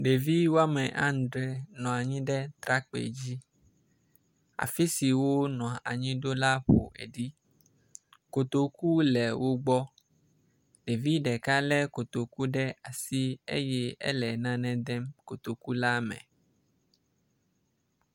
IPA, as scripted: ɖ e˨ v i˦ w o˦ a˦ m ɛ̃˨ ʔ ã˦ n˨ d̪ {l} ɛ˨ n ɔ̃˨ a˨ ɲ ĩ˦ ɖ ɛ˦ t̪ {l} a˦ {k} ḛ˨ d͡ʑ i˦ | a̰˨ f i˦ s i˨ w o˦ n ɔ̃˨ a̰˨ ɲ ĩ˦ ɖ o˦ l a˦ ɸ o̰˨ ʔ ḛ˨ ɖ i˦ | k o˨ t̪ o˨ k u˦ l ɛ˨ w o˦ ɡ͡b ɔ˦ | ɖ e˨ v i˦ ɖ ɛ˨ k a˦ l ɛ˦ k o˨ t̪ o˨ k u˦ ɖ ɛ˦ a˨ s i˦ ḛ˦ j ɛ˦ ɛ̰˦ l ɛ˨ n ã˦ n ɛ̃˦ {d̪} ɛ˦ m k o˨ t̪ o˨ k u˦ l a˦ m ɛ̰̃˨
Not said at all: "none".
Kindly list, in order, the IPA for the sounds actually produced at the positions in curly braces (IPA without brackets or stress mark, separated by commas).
ɾ, ɾ, k͡p, d̪